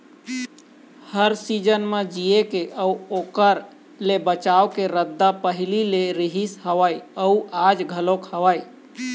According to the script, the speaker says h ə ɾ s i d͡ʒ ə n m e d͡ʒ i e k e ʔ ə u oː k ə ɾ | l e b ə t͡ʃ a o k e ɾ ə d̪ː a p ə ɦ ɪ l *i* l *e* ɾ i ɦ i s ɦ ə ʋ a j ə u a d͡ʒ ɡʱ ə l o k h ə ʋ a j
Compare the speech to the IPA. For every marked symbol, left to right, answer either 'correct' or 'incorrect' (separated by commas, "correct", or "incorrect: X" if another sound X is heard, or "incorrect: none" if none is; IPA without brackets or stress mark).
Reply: correct, correct